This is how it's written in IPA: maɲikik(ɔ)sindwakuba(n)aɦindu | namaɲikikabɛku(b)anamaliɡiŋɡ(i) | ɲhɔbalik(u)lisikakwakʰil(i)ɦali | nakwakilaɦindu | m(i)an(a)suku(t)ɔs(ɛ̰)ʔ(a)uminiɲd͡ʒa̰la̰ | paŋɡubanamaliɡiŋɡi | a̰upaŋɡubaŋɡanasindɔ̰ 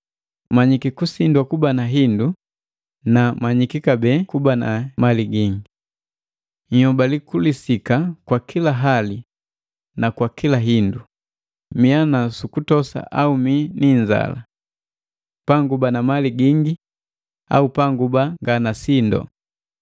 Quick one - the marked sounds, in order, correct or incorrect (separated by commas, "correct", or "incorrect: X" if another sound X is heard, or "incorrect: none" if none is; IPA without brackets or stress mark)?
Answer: incorrect: u, correct, correct, correct, correct, incorrect: a, correct, correct, correct, incorrect: a̰, correct